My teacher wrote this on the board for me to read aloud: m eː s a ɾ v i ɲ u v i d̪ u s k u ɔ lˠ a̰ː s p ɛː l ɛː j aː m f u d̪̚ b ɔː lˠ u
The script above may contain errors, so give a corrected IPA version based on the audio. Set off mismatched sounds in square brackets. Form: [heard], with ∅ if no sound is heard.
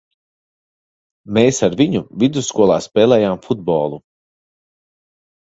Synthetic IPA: m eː s a ɾ v i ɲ u v i d̪ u s k u ɔ lˠ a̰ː s p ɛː l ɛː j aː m f u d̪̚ b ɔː lˠ u